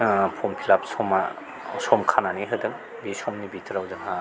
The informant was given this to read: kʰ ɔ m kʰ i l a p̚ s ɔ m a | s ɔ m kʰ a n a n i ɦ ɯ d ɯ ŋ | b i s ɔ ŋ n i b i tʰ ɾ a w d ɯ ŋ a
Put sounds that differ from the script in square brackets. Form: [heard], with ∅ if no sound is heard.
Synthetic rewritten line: [pʰ] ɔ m [pʰ] i l a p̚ s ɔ m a | s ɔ m kʰ a n a n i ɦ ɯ d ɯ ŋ | b i s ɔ [m] n i b i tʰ ɾ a w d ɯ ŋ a